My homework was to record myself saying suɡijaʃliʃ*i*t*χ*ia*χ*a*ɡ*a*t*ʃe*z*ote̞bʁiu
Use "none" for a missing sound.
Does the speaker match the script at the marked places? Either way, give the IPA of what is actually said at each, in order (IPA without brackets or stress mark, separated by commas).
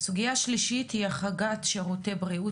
i, h, χ, ɡ, t, ʁ